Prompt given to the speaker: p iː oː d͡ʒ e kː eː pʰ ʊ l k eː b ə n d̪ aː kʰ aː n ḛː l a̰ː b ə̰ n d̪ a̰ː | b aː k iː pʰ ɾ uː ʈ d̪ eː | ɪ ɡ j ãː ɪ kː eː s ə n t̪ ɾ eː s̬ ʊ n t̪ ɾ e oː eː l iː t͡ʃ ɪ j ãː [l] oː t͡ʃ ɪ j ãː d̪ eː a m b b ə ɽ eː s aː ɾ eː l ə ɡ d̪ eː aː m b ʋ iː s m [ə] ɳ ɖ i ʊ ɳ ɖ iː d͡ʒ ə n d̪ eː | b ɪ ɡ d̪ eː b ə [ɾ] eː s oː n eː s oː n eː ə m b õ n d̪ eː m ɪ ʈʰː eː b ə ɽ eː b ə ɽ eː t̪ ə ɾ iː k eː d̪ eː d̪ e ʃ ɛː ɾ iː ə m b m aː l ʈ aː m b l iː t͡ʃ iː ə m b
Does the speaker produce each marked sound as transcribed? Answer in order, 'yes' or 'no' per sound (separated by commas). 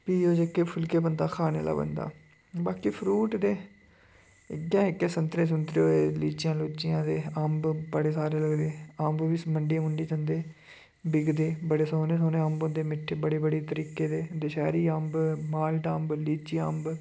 yes, yes, no